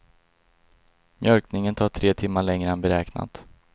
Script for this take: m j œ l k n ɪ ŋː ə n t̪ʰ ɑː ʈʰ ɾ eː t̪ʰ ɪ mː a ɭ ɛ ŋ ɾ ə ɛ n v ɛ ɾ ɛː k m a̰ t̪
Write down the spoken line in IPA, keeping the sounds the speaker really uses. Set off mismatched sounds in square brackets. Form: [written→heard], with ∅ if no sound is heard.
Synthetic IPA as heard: m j œ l k n ɪ [ŋː→ŋ] ə n t̪ʰ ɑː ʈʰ ɾ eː t̪ʰ ɪ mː a ɭ ɛ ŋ ɾ ə ɛ n [v→b] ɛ ɾ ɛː k [m→n] a̰ t̪